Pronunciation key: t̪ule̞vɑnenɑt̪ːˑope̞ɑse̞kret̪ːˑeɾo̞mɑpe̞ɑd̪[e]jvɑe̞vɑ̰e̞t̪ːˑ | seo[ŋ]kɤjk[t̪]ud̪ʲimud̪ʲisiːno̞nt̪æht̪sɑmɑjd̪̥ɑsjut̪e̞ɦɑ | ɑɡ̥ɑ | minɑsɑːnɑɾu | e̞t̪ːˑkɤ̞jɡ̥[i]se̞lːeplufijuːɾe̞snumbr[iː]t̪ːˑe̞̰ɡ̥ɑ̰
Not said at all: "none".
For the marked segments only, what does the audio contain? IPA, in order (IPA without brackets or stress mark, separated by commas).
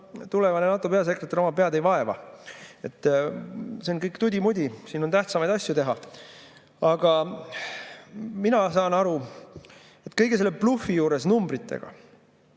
e, n, t̪, e, i